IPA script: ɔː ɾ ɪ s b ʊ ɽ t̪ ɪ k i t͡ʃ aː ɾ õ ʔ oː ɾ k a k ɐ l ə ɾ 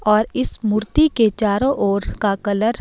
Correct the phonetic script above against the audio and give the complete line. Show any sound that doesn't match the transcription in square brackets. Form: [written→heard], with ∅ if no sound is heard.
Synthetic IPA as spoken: ɔː ɾ ɪ s [b→m] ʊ [ɽ→ɾ] t̪ [ɪ→i] k [i→e] t͡ʃ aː ɾ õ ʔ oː ɾ k a k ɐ l ə ɾ